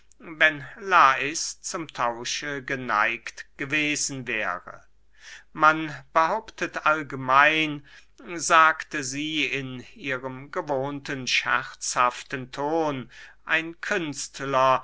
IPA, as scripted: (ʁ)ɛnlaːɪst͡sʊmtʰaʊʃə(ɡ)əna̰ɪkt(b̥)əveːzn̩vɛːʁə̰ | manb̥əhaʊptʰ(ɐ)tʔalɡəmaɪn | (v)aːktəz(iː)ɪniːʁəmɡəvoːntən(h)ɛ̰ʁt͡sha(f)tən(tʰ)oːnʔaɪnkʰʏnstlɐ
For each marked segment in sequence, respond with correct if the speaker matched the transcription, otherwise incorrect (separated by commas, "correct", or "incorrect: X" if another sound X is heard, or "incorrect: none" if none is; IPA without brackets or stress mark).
incorrect: v, correct, incorrect: ɡ̥, incorrect: ə, incorrect: z, correct, incorrect: ʃ, correct, correct